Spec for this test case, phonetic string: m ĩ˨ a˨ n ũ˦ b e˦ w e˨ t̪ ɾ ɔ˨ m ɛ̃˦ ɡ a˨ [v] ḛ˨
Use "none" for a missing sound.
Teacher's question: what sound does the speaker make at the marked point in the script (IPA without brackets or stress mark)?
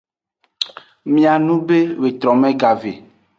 v